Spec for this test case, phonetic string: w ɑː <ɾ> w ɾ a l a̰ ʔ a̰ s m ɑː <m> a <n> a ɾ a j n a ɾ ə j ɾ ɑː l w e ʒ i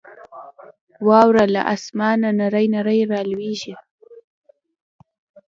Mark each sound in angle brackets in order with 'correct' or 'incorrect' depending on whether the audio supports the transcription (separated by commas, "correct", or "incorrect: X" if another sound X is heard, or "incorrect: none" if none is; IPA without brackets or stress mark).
incorrect: none, incorrect: n, correct